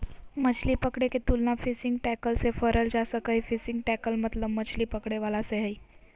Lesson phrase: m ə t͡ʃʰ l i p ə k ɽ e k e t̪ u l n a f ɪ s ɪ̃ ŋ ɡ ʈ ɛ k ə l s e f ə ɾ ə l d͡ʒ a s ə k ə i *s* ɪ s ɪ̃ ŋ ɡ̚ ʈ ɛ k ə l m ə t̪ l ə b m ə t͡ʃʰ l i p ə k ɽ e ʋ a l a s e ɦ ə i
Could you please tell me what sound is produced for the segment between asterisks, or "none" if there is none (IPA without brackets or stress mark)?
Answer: f